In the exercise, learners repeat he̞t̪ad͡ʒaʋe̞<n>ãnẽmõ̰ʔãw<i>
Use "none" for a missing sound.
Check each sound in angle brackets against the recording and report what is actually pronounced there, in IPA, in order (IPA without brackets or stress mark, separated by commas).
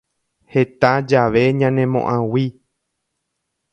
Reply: ɲ, i